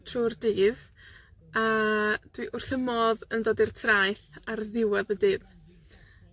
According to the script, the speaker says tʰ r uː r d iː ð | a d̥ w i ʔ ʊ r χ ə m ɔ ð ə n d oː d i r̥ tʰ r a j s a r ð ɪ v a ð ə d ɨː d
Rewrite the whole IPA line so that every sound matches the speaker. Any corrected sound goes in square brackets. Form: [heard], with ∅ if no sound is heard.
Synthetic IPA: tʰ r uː r d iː ð | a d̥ w i ʔ ʊ r [θ] ə m ɔ ð ə n d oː d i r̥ tʰ r a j [θ] a r ð ɪ [w] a ð ə d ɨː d